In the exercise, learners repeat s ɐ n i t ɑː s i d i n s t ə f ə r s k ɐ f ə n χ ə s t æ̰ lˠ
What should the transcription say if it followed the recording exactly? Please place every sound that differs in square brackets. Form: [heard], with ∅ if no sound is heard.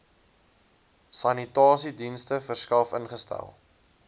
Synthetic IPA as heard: s ɐ n i t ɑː s i d i n s t ə f ə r s k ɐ f ə n χ ə s t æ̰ lˠ